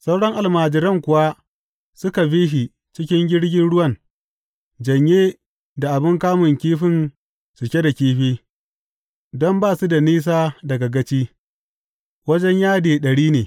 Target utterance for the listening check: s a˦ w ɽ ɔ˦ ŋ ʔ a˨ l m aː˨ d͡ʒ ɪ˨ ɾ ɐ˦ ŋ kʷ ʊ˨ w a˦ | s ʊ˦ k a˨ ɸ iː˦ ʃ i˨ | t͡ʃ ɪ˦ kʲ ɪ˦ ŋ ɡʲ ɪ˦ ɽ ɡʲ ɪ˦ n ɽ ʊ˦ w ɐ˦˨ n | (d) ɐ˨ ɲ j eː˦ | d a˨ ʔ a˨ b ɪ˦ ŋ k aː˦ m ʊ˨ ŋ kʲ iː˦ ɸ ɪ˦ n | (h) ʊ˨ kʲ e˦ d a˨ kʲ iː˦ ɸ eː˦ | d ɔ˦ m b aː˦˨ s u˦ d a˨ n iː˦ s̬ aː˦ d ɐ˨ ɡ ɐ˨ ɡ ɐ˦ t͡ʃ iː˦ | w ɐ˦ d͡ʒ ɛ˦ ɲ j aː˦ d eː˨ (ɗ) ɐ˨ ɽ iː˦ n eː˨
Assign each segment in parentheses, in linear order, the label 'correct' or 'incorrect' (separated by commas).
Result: incorrect, incorrect, correct